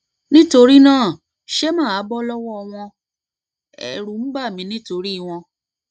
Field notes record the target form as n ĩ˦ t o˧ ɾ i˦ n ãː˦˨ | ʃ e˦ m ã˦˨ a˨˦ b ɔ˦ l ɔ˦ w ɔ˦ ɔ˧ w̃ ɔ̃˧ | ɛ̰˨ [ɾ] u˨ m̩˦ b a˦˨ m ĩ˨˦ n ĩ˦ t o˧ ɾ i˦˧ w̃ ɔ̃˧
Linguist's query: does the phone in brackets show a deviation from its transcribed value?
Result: no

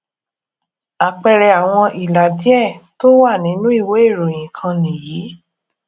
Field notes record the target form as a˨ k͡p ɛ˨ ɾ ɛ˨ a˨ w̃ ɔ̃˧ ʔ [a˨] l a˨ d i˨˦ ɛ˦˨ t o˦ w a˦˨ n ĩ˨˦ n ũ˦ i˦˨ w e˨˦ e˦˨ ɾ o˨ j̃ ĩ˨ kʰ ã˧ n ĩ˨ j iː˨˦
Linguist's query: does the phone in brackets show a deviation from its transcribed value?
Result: yes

